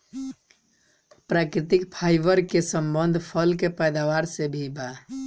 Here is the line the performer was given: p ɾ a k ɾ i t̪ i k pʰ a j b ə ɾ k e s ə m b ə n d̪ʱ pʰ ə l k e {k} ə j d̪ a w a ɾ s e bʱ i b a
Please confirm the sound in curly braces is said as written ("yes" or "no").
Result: no